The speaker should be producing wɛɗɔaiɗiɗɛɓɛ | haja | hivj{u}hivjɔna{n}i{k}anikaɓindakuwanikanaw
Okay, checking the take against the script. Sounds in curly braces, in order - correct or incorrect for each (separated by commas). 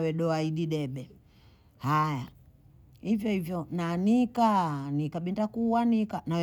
incorrect, correct, correct